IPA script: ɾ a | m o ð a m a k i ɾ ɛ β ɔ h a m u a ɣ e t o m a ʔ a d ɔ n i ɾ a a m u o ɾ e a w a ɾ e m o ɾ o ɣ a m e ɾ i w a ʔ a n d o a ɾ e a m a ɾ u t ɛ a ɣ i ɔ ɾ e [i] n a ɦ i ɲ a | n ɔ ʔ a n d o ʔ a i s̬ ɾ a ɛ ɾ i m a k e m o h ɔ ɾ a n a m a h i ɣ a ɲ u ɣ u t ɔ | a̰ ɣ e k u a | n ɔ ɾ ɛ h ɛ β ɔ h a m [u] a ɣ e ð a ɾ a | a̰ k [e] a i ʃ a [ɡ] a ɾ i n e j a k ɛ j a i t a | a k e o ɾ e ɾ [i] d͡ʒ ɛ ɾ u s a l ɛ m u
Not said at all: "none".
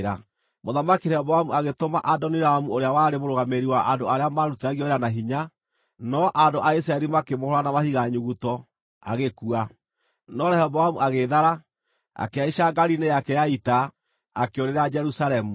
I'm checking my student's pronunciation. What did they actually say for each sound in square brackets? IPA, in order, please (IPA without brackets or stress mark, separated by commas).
a, u, e, ɡ, a